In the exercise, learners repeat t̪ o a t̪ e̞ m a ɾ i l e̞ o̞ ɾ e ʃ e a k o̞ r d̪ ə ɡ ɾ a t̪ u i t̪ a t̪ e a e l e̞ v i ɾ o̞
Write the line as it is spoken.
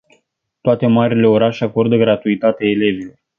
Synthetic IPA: t̪ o a t̪ e̞ m a ɾ i l e̞ o̞ ɾ a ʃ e a k o̞ r d̪ ə ɡ ɾ a t̪ u i t̪ a t̪ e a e l e̞ v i l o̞